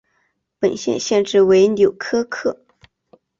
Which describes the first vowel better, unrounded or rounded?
unrounded